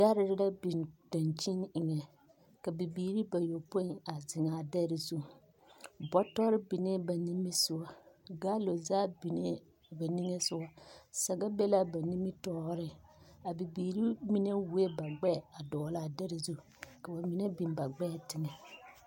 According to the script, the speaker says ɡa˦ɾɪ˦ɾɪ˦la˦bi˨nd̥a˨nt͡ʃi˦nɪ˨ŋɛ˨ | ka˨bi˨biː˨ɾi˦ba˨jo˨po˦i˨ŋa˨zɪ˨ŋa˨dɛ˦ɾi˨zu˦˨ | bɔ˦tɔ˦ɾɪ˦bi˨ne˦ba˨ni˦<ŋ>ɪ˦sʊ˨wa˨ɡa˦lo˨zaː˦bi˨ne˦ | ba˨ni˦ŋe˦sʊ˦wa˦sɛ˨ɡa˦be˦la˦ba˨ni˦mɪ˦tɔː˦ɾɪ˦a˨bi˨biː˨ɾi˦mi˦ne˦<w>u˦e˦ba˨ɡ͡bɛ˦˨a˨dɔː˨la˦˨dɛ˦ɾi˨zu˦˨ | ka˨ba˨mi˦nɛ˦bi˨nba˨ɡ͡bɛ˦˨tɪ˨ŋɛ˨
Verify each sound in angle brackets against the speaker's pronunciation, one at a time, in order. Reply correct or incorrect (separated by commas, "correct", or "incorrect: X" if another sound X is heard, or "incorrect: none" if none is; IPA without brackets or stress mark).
incorrect: m, correct